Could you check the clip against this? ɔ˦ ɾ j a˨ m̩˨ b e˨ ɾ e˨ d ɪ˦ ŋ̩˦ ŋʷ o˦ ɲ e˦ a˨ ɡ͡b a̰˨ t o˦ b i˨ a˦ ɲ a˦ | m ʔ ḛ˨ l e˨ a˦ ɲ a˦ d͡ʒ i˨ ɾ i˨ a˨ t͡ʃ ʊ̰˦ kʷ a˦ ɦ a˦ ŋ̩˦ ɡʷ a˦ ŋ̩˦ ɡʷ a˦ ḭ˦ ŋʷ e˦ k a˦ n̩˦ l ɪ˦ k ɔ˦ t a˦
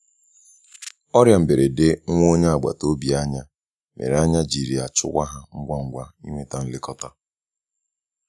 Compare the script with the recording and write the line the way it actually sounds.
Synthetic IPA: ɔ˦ ɾ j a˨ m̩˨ b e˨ ɾ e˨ d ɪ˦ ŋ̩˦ ŋʷ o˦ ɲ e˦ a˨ ɡ͡b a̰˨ t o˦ b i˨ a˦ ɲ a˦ | m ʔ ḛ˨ ɾ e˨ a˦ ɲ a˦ d͡ʒ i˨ ɾ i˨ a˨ t͡ʃ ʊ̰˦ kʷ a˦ ɦ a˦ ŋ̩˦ ɡʷ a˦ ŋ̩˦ ɡʷ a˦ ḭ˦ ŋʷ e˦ t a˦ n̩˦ l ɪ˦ k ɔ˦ t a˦